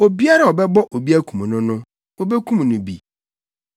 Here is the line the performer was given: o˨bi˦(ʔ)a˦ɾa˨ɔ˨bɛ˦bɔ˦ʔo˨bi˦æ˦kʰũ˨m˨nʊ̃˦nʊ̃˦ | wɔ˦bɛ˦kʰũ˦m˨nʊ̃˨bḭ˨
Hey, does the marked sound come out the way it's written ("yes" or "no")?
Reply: no